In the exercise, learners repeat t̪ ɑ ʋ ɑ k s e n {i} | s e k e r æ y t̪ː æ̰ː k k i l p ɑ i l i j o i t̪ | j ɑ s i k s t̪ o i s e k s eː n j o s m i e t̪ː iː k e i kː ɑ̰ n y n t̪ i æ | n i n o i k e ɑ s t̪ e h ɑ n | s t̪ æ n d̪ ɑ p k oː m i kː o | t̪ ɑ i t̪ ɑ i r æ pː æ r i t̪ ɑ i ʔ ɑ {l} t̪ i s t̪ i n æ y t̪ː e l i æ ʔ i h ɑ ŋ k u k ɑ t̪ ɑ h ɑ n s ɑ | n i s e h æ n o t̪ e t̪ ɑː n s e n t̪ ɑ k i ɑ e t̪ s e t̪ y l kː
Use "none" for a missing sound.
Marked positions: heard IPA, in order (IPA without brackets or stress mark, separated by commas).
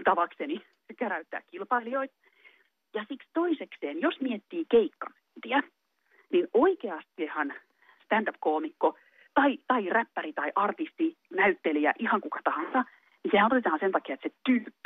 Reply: i, r